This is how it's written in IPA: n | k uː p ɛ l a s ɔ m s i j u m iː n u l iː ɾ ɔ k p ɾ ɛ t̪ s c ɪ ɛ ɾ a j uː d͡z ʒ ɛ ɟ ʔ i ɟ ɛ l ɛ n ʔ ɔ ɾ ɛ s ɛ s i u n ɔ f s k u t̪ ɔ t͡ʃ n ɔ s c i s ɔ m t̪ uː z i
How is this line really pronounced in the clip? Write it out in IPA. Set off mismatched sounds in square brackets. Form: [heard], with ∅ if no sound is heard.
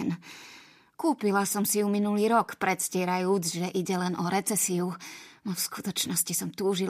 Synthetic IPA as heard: n | k uː p [i] l a s ɔ m s i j u m [i] n u l iː ɾ ɔ k p ɾ ɛ t̪ s c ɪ ɛ ɾ a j uː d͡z ʒ ɛ [∅] ʔ i ɟ ɛ l ɛ n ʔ ɔ ɾ ɛ [t͡s] ɛ s i u n ɔ f s k u t̪ ɔ t͡ʃ n ɔ s c i s ɔ m t̪ uː [ʒ] i